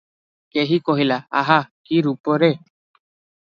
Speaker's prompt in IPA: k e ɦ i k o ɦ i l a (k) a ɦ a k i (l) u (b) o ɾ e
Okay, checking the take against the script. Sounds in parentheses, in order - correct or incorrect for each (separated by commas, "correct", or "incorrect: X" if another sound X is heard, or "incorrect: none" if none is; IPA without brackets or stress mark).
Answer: incorrect: none, incorrect: ɾ, incorrect: p